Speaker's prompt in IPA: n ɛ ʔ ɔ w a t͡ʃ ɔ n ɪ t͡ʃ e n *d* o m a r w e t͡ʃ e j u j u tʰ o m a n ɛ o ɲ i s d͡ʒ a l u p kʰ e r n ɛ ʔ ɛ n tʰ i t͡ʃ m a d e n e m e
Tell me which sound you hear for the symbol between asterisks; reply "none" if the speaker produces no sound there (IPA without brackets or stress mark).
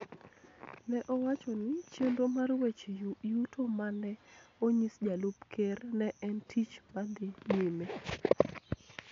d